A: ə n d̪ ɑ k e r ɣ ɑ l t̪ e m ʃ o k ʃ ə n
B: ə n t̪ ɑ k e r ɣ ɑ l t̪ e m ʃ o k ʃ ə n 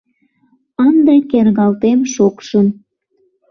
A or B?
A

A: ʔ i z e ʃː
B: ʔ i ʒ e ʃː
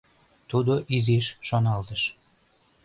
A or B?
A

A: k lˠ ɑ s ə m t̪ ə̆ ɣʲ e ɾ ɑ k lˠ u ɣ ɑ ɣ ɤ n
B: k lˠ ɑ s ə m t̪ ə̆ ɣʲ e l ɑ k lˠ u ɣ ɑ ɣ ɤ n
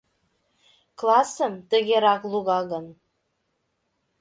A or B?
A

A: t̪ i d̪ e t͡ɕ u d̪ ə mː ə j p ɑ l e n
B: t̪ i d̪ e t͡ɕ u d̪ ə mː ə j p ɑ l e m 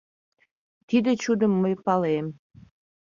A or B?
B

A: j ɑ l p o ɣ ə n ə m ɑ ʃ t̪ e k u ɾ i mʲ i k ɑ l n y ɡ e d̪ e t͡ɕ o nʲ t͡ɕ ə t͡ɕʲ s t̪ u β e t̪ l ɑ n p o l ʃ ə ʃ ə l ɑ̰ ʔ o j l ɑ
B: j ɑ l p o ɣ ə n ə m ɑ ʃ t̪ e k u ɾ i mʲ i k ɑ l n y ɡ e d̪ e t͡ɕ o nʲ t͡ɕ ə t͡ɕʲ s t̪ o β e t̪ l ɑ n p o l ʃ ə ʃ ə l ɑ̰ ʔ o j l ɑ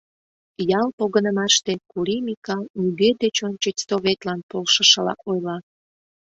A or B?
B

